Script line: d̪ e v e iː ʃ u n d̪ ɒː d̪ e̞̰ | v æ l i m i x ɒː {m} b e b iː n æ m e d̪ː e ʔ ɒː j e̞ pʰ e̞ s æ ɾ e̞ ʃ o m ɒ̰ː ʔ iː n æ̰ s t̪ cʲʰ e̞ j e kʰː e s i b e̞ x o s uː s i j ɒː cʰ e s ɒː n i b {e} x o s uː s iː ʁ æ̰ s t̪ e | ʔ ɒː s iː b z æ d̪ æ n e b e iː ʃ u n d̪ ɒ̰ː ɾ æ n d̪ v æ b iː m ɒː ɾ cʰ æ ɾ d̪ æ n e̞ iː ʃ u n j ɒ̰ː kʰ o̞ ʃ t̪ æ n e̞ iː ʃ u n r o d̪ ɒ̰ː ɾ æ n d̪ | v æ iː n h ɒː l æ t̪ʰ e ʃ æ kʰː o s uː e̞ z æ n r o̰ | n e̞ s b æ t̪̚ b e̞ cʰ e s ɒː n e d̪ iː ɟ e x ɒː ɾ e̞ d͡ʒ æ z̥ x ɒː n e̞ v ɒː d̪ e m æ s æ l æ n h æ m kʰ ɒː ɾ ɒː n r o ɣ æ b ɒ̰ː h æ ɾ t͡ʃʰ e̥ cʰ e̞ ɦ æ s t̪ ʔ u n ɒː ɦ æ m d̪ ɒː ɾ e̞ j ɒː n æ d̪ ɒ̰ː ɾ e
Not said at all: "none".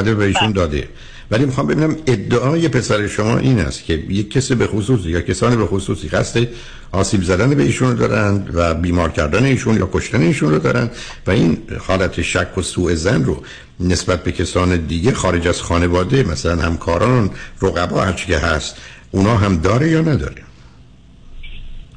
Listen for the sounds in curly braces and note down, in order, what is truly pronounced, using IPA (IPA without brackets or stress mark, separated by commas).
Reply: m, e